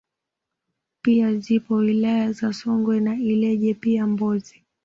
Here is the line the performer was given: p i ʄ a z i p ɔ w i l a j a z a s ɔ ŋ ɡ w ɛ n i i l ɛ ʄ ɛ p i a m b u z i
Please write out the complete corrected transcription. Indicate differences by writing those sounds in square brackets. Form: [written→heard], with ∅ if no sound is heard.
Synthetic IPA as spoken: p i [ʄ→∅] a z i p ɔ w i l a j a z a s ɔ ŋ ɡ w ɛ n [i→a] i l ɛ ʄ ɛ p i a m b [u→ɔ] z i